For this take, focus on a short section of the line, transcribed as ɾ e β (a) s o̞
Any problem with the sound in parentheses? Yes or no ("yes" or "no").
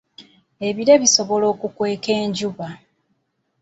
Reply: yes